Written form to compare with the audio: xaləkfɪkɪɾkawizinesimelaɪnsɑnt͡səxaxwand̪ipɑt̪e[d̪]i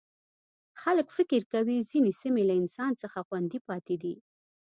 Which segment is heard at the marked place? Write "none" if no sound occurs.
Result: d̪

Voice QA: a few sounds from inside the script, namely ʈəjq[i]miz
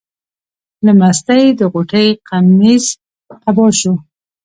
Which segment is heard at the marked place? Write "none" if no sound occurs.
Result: a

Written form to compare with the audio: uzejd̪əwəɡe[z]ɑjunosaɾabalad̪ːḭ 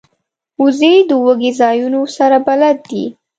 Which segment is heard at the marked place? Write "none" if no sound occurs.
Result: z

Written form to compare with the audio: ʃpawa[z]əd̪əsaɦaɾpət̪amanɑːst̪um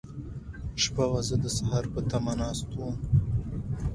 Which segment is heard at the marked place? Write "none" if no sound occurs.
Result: z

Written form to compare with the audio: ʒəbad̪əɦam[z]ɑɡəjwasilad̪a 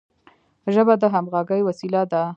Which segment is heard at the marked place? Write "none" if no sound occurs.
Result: ɣ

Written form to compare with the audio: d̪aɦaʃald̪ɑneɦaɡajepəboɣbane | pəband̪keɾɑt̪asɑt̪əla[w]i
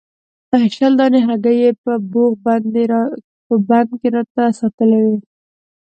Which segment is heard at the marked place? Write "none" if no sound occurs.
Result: w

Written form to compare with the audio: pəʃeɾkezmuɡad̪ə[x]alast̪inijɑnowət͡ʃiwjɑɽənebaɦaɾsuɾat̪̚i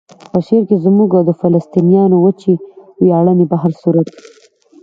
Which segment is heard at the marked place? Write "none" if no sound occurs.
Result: f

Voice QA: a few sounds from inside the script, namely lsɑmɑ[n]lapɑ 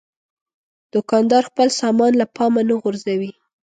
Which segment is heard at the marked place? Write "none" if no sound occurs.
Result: n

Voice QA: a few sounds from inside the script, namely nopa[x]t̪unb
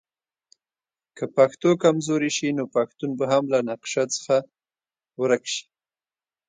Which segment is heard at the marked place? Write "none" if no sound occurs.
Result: x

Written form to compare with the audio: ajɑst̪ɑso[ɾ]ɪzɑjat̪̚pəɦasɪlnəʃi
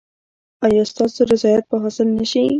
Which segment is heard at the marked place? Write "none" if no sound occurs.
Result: ɾ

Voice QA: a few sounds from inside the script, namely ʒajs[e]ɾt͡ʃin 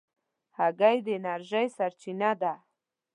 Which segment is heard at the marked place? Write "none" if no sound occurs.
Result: a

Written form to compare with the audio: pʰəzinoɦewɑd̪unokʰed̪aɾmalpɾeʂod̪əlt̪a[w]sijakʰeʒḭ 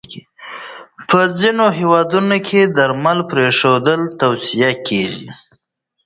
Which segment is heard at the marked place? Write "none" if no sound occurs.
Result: w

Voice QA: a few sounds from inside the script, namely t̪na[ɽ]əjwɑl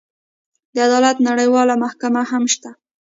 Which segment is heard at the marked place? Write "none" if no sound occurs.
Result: ɽ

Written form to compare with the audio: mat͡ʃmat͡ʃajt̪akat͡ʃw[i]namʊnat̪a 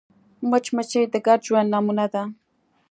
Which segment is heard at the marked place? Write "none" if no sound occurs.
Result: a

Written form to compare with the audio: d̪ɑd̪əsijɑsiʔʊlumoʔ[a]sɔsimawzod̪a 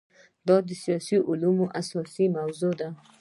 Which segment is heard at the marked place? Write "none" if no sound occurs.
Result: a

